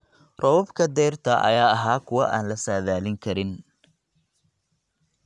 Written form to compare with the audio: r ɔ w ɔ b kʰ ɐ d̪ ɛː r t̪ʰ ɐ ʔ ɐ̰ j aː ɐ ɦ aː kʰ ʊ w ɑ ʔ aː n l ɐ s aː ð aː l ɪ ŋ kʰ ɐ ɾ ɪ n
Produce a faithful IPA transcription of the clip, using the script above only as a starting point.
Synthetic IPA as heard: r ɔ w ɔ b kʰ ɐ d̪ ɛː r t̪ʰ ɐ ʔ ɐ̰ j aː ɐ ɦ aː kʰ ʊ w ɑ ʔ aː n l ɐ s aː ð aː l ɪ ŋ kʰ ɐ ɾ ɪ n